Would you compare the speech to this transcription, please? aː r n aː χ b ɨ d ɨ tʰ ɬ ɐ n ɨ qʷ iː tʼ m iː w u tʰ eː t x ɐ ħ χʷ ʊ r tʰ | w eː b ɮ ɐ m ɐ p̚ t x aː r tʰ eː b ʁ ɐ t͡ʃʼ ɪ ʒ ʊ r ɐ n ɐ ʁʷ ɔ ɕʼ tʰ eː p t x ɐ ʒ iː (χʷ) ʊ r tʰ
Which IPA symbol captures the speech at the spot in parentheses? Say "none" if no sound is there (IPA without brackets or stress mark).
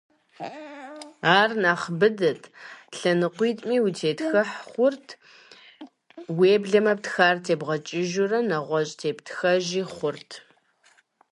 χʷ